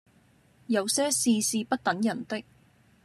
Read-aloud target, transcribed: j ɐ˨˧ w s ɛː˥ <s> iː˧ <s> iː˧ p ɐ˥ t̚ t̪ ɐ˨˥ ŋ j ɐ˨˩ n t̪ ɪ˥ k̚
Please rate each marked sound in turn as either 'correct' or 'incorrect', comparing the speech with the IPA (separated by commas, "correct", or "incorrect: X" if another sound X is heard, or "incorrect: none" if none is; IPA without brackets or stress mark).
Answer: correct, correct